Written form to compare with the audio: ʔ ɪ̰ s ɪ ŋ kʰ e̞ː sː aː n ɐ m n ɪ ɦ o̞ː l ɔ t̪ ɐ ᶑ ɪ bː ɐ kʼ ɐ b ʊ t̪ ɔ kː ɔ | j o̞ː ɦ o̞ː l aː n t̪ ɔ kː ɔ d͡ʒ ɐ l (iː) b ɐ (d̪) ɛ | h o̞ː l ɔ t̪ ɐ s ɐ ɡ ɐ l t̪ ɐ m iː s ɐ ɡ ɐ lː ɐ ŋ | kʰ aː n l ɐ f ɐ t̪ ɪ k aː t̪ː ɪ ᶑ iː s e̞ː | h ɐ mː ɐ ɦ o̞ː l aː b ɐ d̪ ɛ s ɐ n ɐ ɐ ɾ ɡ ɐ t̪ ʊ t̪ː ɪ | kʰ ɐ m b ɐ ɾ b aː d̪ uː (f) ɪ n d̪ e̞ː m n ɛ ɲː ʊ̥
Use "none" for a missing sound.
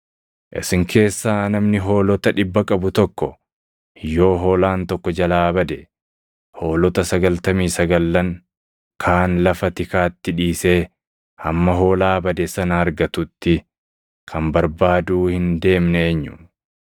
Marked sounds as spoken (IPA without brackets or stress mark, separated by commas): aː, d̪, h